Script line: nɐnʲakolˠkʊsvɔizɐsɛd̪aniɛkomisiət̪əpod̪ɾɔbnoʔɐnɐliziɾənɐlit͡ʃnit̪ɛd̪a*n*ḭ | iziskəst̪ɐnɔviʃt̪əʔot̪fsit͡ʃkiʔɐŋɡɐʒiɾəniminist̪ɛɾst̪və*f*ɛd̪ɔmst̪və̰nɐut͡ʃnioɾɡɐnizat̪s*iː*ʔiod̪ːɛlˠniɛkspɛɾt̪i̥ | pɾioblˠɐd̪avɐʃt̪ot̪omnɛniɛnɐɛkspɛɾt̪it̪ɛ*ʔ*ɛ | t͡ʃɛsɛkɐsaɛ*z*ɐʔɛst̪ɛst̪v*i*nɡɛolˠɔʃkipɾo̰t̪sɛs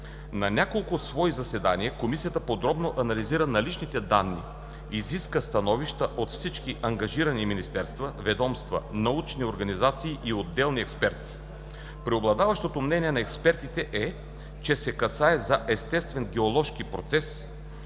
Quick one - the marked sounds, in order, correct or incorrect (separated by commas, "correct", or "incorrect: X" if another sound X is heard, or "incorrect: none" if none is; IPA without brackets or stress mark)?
incorrect: nː, incorrect: v, correct, correct, correct, incorrect: ɛ